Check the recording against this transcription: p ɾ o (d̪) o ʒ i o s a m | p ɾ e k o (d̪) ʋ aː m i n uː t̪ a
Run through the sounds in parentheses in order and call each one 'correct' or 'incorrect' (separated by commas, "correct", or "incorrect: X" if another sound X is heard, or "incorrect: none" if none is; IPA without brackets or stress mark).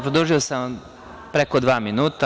correct, correct